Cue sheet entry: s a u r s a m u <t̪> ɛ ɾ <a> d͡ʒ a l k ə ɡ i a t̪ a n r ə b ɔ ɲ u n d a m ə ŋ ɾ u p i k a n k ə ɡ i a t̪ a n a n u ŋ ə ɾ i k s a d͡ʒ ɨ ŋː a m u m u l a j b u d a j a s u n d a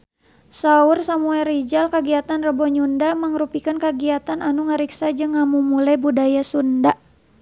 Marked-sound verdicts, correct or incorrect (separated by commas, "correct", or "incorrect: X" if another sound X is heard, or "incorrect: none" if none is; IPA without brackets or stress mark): incorrect: none, incorrect: i